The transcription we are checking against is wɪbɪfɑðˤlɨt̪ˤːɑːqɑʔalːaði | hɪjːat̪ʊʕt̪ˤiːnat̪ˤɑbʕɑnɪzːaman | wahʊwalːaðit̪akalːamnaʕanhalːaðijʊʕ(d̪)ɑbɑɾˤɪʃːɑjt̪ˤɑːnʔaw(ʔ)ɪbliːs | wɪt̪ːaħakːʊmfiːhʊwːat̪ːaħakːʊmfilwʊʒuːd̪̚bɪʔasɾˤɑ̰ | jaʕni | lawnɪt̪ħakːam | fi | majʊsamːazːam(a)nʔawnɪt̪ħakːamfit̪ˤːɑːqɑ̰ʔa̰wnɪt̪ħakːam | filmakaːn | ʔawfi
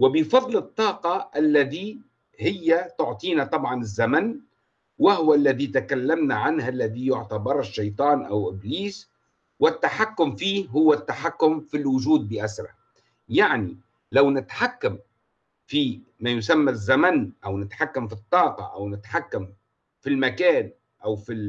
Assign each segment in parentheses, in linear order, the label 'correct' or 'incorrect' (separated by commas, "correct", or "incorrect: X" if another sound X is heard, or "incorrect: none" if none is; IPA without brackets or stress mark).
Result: incorrect: t̪, correct, correct